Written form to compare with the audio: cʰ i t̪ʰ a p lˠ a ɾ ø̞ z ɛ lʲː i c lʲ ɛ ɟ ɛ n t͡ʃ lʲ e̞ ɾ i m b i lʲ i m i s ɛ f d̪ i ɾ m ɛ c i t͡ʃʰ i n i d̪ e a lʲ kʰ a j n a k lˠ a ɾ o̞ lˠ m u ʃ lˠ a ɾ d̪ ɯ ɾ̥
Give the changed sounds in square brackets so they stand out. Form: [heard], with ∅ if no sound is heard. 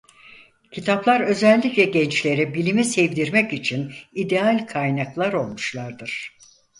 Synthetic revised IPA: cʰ i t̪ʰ a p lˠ a ɾ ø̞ z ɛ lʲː i c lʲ ɛ ɟ ɛ n t͡ʃ lʲ e̞ ɾ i [∅] b i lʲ i m i s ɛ [v] d̪ i ɾ m ɛ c i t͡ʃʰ i n i d̪ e a lʲ kʰ a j n a k lˠ a ɾ o̞ lˠ m u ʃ lˠ a ɾ d̪ ɯ ɾ̥